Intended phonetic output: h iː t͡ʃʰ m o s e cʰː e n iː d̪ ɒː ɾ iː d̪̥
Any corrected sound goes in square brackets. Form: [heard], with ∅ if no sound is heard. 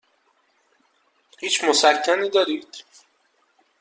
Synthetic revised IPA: h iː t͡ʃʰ m o s [æ] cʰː [æ] n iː d̪ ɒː ɾ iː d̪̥